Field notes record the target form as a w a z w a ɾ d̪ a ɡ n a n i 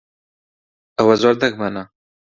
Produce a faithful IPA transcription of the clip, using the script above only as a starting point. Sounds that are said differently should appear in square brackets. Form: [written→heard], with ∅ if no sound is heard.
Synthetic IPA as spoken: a w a z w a ɾ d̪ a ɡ [n→m] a n [i→a]